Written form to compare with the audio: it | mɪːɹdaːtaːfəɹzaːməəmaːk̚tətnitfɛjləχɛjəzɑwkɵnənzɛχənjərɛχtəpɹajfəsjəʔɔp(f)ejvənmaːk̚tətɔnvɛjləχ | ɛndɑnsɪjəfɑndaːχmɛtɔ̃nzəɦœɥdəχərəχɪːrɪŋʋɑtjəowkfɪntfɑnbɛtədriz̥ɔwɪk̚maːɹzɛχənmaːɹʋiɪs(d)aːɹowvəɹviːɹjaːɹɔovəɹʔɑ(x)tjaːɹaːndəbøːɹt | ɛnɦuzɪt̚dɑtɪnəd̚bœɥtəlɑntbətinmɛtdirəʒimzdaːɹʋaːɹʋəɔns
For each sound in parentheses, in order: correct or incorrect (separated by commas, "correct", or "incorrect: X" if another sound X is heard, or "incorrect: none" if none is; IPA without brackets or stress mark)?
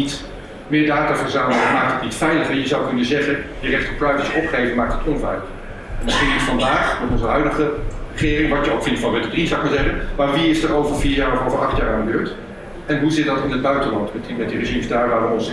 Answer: incorrect: χ, correct, incorrect: χ